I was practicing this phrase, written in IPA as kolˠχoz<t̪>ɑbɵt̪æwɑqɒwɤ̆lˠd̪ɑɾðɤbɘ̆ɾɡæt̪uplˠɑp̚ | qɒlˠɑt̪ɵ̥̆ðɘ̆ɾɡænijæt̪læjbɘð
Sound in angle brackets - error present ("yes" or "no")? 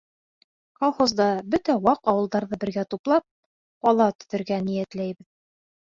yes